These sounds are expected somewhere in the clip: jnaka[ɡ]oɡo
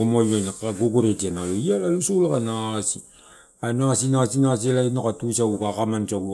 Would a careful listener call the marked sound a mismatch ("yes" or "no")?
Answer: no